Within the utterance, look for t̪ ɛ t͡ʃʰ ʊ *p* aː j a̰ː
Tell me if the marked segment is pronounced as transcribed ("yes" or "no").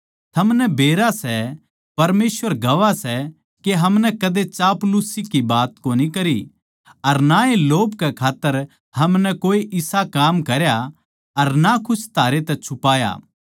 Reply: yes